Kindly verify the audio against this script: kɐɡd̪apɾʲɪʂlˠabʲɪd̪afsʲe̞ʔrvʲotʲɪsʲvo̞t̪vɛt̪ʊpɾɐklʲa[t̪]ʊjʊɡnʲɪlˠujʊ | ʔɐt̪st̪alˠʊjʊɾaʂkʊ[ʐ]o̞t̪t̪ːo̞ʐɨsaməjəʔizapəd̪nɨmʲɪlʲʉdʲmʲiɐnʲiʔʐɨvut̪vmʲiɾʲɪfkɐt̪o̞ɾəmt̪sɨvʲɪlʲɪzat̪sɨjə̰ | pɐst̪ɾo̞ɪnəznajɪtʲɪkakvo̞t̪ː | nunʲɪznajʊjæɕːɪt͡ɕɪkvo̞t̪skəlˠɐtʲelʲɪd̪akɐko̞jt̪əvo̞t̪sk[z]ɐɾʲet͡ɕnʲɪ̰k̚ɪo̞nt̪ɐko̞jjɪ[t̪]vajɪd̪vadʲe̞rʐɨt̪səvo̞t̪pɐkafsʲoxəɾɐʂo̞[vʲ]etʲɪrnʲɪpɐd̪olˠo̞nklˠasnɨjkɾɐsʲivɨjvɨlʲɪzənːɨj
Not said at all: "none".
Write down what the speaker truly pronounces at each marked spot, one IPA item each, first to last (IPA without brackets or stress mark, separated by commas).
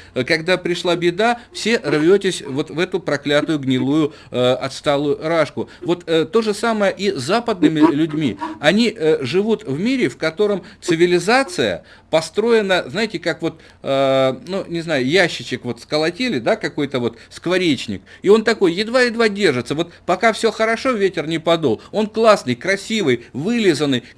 t̪, v, v, d̪, vʲ